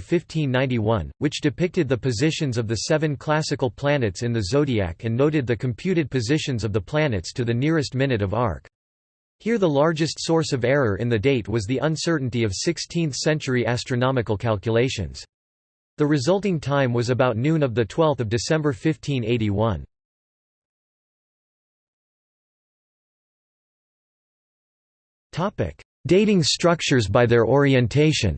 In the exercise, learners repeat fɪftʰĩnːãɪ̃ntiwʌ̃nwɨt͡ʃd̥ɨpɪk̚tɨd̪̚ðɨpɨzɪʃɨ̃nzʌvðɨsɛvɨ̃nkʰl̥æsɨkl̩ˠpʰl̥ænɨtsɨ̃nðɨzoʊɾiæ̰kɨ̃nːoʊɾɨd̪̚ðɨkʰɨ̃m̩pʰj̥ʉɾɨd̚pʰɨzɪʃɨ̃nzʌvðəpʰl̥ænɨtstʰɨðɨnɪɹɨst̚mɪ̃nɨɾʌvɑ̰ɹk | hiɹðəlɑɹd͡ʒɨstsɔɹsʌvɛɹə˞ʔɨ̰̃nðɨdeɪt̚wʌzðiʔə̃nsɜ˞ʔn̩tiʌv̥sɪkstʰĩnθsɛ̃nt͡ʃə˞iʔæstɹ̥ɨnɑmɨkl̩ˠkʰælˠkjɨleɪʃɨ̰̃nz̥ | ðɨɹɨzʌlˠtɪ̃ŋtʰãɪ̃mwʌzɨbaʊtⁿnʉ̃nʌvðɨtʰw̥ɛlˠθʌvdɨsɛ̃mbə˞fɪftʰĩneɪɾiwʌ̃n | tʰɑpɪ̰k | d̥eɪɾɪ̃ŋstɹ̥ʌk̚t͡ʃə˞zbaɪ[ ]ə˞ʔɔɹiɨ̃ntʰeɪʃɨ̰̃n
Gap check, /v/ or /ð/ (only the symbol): ð